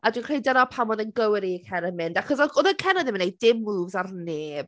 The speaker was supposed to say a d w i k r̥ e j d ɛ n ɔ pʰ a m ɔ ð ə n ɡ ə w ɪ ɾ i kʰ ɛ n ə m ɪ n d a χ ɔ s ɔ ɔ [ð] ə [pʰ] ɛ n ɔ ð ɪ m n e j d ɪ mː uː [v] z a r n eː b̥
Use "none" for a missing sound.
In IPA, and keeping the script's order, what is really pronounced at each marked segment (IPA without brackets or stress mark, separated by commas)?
ð, kʰ, v